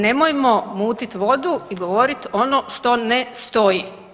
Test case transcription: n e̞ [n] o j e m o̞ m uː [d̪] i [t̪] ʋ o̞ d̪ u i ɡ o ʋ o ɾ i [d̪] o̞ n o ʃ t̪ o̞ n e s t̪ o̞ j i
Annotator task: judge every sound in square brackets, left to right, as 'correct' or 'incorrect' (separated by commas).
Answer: incorrect, incorrect, correct, incorrect